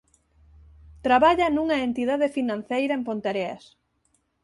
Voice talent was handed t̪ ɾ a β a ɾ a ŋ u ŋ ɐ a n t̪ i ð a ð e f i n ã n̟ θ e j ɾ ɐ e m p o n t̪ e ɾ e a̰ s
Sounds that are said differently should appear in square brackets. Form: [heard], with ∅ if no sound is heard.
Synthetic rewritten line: t̪ ɾ a β a [ʎ] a [n] u ŋ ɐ [e] n t̪ i ð a ð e f i n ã n̟ θ e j ɾ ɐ e m p o n t̪ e ɾ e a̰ s